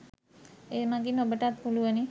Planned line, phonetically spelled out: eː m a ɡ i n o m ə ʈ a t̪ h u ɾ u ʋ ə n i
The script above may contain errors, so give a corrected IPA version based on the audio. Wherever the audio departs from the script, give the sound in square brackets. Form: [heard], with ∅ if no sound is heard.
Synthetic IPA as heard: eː m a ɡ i n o [b] ə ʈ a t̪ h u [l] u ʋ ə n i